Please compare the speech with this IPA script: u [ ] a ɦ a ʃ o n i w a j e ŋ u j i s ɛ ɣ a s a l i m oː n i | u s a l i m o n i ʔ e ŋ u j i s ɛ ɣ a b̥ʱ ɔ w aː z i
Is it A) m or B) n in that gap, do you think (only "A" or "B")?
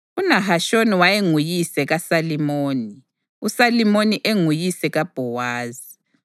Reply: B